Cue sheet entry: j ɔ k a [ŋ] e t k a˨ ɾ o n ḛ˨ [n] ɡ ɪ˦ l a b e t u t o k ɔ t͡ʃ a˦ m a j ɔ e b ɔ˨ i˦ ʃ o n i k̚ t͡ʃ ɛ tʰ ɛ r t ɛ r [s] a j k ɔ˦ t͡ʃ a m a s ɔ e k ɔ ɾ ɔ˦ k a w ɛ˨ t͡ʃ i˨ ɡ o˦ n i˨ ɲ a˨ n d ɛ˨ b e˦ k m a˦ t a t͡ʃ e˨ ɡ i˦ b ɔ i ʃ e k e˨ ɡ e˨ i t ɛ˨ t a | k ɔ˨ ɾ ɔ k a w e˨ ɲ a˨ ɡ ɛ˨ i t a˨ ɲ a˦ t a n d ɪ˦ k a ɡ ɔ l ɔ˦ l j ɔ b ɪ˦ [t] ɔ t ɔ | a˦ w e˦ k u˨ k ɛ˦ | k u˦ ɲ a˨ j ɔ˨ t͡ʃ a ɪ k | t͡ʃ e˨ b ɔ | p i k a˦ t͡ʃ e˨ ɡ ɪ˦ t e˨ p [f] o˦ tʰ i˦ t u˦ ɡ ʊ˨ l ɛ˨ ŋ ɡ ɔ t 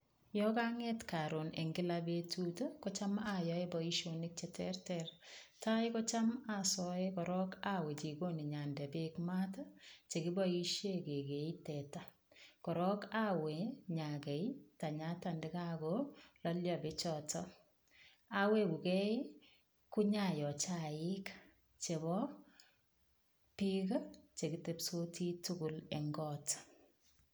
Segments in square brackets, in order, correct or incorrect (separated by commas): correct, incorrect, incorrect, incorrect, incorrect